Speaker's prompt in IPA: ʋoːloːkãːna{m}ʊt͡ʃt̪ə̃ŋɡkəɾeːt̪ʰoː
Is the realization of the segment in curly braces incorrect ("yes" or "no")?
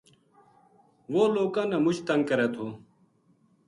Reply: no